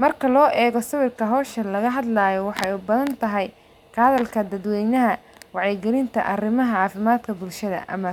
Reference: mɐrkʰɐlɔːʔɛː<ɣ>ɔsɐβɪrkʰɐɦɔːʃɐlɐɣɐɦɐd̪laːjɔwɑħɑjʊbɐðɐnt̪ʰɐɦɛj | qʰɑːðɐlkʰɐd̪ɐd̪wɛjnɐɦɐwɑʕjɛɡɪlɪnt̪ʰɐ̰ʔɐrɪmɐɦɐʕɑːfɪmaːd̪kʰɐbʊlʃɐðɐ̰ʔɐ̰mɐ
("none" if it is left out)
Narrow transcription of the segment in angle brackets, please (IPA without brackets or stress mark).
ɣ